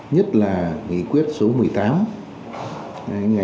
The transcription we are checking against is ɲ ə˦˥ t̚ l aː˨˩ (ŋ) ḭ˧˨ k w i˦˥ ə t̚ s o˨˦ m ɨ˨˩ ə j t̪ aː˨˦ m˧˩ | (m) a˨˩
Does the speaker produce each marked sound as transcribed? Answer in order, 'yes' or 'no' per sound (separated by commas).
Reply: yes, no